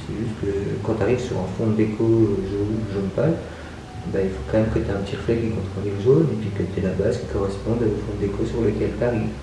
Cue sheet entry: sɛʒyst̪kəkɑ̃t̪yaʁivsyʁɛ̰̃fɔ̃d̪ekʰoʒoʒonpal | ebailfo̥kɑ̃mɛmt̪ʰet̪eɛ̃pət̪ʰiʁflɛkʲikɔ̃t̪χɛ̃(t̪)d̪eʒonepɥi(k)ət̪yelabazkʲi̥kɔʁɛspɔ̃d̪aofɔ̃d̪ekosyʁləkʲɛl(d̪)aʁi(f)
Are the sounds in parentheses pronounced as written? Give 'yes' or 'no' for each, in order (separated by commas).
no, yes, no, no